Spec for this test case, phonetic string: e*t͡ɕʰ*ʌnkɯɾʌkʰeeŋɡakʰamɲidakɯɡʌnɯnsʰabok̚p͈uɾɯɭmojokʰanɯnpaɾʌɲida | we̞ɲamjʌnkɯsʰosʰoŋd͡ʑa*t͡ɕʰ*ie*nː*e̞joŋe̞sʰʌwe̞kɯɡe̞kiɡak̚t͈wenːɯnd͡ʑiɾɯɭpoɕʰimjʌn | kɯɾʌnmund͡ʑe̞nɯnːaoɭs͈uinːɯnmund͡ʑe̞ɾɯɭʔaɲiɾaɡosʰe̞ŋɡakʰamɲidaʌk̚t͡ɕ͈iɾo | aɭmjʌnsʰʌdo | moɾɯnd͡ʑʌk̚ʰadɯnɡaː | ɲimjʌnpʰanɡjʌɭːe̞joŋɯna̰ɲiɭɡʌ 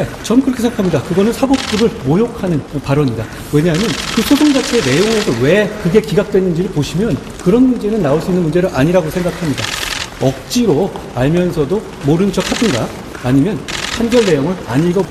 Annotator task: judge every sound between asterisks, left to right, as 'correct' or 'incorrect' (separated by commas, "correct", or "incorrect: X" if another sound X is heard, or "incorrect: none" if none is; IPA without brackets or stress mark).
incorrect: t͡ɕ, correct, incorrect: n